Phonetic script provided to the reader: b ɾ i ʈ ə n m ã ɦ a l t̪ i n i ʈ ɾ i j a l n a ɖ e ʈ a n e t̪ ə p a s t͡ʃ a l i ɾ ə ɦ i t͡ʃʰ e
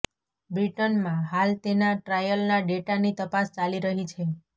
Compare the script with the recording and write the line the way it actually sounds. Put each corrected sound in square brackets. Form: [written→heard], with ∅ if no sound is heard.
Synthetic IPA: b ɾ i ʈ ə n m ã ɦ a l t̪ [i→e] n [i→a] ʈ ɾ [i→a] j [a→ə] l n a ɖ e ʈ a n [e→i] t̪ ə p a s t͡ʃ a l i ɾ ə ɦ i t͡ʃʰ e